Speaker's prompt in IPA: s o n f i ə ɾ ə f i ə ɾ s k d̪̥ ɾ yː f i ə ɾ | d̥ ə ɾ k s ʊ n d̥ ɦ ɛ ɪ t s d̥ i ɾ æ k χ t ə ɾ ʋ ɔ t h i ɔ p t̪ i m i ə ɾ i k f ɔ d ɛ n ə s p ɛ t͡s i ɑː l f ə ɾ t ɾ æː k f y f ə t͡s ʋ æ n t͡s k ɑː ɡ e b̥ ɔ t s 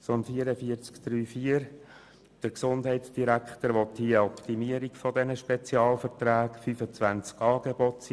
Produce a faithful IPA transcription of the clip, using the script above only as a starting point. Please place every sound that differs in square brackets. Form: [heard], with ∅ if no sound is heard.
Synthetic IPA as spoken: s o n f i ə ɾ ə f i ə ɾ [t͡s] k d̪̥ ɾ yː f i ə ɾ | d̥ ə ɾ k s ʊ n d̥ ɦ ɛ ɪ t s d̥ i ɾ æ k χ t ə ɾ ʋ ɔ t h i ɔ p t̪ i m i ə ɾ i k f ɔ d ɛ n ə [ʃ] p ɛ t͡s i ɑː l f ə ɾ t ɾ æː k f y f ə t͡s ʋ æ n t͡s k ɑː ɡ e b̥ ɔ t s